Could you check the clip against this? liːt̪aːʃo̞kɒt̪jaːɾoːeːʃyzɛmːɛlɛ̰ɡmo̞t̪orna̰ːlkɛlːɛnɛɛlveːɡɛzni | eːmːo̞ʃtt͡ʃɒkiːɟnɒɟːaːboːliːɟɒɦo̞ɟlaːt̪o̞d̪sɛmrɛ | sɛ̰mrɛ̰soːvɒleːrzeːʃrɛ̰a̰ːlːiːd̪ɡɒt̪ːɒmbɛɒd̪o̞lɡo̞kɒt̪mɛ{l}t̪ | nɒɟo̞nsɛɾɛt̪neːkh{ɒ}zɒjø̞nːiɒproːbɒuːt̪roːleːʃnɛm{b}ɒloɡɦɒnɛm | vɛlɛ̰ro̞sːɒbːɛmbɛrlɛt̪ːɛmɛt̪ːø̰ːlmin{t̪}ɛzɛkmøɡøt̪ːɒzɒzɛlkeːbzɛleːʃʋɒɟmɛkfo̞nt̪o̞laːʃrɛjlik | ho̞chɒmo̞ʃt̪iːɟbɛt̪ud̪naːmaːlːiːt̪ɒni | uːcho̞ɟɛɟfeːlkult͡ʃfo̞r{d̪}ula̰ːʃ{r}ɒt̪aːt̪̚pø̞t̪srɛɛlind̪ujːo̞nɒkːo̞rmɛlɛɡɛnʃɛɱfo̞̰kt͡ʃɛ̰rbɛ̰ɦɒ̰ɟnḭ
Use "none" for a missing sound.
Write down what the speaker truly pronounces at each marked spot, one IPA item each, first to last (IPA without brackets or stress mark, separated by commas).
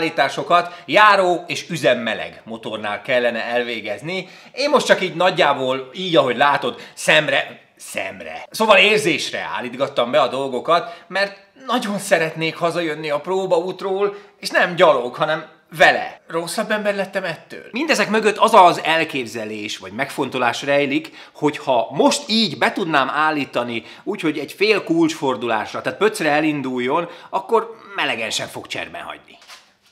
r, ɒ, ɟ, d̪, d̪, r